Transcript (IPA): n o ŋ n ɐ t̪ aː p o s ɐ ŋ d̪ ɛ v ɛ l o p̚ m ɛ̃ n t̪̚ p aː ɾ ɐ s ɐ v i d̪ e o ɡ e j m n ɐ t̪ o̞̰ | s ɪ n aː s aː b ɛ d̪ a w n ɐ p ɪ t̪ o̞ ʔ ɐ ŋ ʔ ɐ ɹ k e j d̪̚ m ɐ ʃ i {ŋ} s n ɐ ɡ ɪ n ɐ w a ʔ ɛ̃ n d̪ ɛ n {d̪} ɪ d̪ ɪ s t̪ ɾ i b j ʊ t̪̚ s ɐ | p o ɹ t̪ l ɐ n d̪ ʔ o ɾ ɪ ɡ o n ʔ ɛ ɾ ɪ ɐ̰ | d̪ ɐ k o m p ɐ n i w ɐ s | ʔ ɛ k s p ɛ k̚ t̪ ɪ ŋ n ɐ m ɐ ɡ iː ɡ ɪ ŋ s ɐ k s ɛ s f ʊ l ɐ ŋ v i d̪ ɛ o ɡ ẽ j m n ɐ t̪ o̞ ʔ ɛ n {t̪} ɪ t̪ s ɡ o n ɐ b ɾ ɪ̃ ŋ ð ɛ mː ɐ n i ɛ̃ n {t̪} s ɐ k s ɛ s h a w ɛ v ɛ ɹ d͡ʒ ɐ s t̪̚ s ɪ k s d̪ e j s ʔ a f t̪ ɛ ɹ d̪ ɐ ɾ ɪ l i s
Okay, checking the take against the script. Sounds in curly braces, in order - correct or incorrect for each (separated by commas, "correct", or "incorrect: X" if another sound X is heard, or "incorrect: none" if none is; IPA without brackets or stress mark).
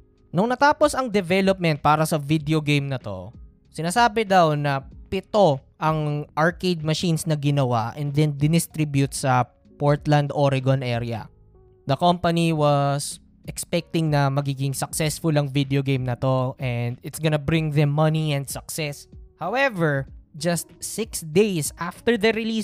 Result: incorrect: n, correct, incorrect: d̪, incorrect: d̪